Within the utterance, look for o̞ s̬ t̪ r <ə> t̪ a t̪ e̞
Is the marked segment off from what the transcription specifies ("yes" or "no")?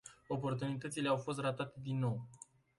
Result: yes